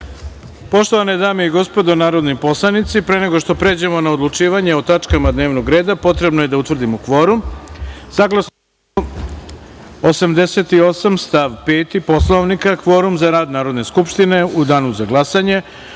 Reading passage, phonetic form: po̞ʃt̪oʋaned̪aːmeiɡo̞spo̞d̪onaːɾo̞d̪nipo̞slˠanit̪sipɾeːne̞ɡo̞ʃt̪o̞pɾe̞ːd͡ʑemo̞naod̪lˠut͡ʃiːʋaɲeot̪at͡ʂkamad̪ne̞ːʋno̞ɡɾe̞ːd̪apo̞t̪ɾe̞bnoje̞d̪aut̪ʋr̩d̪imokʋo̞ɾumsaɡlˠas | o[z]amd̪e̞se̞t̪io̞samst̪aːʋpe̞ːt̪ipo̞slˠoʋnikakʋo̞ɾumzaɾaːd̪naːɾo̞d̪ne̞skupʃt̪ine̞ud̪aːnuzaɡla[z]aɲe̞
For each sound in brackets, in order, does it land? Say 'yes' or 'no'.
no, no

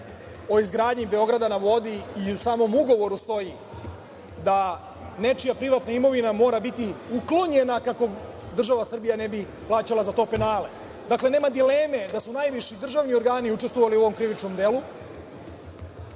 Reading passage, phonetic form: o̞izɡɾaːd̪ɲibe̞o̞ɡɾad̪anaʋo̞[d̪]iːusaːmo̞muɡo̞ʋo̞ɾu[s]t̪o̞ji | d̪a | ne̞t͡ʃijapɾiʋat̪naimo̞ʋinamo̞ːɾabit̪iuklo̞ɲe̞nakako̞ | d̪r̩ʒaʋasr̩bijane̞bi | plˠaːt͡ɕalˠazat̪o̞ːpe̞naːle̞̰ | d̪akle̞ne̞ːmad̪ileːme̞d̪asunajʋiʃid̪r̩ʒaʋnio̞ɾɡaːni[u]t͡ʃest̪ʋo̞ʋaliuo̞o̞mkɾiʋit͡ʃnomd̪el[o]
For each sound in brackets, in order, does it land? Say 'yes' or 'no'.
yes, yes, yes, no

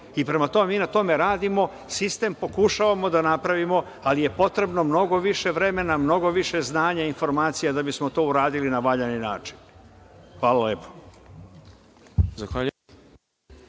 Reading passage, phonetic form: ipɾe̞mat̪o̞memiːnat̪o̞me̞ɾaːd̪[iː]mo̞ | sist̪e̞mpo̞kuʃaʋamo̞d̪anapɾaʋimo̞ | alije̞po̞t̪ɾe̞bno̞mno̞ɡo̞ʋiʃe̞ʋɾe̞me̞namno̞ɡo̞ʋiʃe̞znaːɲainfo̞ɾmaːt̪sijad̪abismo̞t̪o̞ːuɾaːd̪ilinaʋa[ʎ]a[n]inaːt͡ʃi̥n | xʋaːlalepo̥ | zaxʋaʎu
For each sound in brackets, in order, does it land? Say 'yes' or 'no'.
no, yes, yes

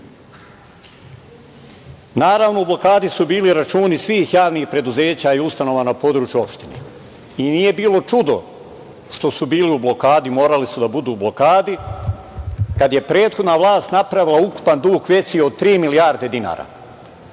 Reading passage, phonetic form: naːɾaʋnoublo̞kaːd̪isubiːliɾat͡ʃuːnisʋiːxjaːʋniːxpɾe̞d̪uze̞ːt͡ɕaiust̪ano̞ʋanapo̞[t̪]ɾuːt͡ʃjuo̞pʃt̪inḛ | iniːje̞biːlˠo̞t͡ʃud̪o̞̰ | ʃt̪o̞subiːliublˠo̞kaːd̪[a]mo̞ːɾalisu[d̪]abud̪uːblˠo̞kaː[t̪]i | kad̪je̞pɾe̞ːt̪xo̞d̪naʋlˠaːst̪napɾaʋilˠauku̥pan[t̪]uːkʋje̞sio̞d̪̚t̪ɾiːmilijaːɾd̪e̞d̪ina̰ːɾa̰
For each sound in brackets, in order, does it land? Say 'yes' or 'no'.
no, no, yes, no, no

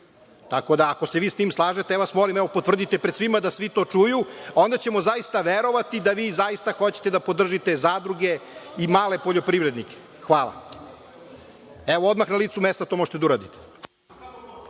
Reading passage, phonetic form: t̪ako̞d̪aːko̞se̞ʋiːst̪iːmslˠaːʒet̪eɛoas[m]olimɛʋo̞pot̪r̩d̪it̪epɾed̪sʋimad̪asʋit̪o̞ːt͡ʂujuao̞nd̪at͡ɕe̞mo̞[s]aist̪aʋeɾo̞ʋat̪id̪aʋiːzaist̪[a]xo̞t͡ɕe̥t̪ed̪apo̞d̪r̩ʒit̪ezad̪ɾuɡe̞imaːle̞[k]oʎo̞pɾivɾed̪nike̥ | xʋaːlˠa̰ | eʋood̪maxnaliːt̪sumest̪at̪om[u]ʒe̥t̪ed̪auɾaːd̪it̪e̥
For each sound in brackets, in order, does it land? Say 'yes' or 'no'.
yes, no, yes, no, no

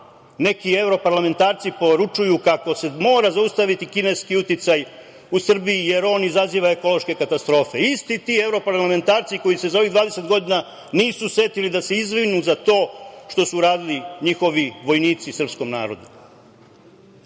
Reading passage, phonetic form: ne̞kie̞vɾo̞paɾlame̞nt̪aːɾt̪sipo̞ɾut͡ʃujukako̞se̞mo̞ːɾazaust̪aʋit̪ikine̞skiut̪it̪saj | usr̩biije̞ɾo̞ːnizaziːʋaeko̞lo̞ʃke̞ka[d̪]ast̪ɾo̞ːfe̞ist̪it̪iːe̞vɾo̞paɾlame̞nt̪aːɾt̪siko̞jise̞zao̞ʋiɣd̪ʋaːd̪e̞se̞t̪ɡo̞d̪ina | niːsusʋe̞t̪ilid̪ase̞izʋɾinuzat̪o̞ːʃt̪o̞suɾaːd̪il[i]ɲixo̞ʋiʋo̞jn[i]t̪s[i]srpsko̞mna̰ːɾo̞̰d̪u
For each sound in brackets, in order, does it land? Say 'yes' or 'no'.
no, yes, no, yes

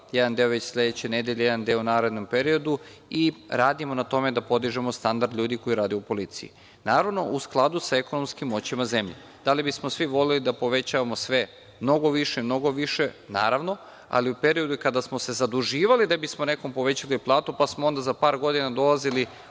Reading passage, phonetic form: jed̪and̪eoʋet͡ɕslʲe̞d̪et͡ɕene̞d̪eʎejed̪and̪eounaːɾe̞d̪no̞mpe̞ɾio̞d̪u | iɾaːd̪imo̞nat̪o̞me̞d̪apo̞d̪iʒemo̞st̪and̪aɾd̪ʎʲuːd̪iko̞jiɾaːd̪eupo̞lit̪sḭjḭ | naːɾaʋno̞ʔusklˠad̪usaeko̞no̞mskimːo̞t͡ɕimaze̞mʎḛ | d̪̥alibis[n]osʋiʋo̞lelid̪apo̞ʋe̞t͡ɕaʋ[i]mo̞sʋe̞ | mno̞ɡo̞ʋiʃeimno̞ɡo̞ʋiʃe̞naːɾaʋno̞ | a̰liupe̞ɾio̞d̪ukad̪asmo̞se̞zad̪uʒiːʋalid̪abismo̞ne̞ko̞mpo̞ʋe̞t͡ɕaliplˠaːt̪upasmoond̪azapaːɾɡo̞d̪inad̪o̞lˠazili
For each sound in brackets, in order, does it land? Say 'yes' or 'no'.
no, no

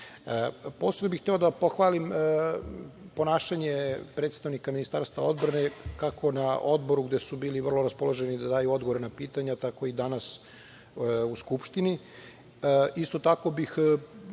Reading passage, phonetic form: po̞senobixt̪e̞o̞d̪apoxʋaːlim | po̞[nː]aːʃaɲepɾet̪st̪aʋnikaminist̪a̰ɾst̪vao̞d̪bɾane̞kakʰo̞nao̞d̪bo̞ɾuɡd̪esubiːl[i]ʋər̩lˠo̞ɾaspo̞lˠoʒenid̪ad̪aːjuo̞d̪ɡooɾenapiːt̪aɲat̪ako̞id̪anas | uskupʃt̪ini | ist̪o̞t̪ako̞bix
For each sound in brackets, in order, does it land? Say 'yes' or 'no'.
no, yes

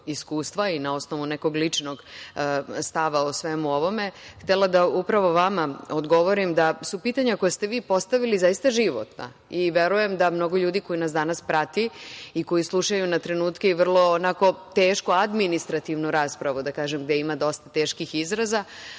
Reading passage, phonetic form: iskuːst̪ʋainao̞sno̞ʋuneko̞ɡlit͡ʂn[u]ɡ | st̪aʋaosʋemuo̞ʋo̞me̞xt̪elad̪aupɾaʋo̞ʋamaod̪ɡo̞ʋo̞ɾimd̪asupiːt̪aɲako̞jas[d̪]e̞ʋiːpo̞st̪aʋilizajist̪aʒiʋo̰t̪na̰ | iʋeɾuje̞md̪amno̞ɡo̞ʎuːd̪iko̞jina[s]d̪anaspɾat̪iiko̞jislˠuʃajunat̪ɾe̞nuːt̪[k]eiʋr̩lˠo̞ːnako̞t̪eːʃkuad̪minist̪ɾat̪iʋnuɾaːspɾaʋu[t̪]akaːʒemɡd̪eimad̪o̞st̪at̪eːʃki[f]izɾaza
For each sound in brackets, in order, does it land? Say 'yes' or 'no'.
no, no, yes, yes, no, no

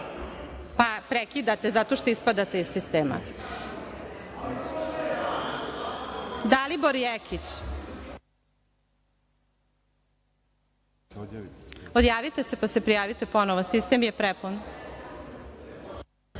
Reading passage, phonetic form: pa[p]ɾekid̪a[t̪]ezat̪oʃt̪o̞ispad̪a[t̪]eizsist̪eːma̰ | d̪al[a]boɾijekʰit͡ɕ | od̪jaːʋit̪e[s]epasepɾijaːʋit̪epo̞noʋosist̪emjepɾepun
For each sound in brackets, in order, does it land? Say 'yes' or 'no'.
yes, yes, yes, no, yes

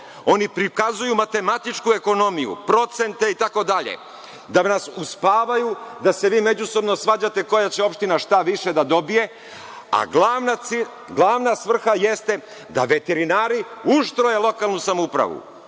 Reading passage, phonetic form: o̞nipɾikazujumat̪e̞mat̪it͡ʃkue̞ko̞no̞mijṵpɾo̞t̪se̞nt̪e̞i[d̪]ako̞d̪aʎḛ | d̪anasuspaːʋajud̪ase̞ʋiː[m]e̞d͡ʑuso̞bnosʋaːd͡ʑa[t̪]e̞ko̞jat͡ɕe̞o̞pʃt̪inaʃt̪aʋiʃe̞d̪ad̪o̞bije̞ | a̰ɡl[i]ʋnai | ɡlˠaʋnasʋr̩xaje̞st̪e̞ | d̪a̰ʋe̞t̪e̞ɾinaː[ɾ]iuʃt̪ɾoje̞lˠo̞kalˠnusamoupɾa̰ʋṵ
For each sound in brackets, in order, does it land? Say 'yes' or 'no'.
no, yes, yes, no, yes

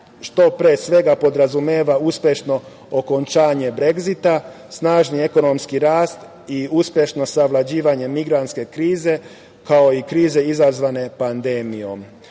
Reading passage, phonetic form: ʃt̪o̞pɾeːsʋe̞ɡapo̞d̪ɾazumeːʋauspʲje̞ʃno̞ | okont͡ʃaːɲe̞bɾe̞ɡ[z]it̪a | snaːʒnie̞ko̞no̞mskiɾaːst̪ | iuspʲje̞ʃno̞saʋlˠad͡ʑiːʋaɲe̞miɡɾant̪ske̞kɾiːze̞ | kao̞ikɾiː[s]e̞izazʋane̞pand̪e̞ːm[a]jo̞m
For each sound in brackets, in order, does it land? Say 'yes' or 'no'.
yes, no, no

